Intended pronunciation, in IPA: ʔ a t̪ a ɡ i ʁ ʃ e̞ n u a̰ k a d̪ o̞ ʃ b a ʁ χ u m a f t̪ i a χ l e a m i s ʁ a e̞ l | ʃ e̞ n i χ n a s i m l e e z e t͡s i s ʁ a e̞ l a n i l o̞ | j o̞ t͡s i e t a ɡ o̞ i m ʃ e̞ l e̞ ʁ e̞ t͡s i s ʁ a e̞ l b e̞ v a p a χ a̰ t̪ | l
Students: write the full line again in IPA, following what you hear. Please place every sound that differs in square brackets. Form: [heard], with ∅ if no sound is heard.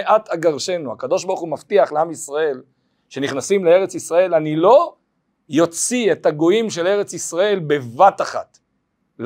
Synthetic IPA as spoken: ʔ a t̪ a ɡ [a] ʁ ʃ e̞ n u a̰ k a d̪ o̞ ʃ b a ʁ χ u m a f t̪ i a χ l e a m i s ʁ a e̞ l | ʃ e̞ n i χ n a s i m l e e [ʁ] e t͡s i s ʁ a e̞ l a n i l o̞ | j o̞ t͡s i e t a ɡ o̞ i m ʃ e̞ l e̞ ʁ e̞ t͡s i s ʁ a e̞ l b e̞ v a [t] a χ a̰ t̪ | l